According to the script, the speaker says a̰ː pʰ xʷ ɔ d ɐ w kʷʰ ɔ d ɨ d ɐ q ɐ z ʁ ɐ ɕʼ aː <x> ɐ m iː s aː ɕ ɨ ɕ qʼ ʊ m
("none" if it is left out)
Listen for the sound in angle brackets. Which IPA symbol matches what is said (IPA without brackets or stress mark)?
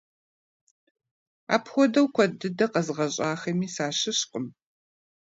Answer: x